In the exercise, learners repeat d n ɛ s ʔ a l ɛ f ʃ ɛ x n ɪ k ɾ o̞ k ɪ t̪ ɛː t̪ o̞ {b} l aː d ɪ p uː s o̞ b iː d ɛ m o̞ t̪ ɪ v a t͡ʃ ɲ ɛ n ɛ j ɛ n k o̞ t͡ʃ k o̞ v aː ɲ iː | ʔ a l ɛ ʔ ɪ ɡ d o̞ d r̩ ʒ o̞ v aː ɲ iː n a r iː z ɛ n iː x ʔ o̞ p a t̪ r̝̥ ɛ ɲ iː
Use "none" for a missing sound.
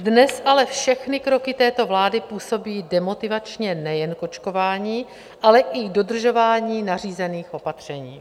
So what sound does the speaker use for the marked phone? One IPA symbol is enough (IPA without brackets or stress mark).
v